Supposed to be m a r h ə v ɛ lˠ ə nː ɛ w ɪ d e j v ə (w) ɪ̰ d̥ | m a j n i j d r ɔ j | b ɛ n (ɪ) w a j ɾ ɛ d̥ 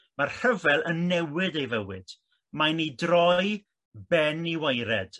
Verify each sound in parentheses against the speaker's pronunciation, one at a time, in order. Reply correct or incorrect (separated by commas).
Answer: correct, incorrect